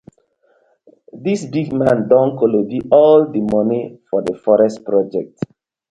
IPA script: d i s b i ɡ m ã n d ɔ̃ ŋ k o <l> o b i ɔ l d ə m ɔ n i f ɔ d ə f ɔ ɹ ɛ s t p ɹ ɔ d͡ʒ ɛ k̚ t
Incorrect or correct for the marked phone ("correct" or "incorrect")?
correct